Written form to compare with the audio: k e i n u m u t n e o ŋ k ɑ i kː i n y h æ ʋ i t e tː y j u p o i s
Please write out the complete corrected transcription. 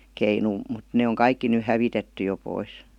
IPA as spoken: k e i n u m u t n e o ŋ k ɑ i kː i n y h æ ʋ i t e tː y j o p o i s